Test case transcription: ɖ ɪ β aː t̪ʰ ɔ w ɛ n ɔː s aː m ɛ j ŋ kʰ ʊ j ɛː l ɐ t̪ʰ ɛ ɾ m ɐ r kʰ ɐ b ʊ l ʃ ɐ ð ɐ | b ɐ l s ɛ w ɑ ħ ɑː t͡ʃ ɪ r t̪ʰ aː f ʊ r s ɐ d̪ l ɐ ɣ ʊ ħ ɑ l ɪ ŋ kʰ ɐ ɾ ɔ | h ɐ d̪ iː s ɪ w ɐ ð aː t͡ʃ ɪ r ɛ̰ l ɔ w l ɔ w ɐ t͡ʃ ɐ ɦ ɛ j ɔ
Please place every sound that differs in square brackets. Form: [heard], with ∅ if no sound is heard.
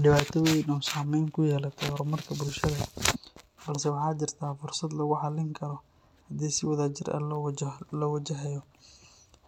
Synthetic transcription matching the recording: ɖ ɪ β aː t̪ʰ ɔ w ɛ n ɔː s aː m ɛ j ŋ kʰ ʊ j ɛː l ɐ t̪ʰ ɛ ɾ m ɐ r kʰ ɐ b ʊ l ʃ ɐ ð ɐ | b ɐ l s ɛ w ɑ ħ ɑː t͡ʃ ɪ r t̪ʰ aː f ʊ r s ɐ d̪ l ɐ ɣ ʊ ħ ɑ l ɪ ŋ kʰ ɐ ɾ ɔ | h ɐ d̪ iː s ɪ w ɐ ð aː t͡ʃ ɪ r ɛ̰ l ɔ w l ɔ w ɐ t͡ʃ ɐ ɦ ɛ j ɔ